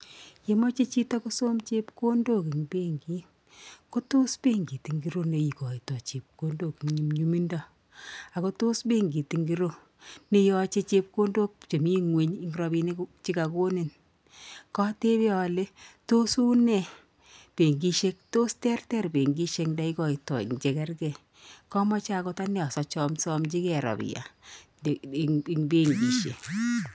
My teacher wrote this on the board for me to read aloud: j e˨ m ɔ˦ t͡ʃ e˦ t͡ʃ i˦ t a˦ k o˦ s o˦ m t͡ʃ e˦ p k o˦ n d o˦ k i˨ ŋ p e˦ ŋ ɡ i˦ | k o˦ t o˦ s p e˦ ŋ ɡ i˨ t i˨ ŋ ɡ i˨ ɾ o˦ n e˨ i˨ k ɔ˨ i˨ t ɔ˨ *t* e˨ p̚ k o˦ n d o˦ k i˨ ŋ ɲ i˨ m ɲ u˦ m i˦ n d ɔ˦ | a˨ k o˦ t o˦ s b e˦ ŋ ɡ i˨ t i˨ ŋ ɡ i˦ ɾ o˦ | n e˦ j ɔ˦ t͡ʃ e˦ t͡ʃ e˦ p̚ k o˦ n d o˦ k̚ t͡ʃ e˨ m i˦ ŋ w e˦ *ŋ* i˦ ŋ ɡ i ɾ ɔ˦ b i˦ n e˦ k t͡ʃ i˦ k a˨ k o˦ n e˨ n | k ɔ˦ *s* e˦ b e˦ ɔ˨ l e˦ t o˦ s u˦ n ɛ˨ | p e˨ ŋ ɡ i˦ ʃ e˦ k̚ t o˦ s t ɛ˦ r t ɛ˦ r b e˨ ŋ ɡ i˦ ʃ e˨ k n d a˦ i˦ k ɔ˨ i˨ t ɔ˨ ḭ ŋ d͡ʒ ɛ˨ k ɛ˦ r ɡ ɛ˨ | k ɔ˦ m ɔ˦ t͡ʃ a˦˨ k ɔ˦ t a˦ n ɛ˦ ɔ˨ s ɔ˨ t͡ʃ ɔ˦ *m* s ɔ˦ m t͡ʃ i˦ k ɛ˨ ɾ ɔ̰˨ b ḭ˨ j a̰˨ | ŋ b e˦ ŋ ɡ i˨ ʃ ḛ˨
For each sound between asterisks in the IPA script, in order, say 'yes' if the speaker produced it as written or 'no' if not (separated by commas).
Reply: no, no, no, yes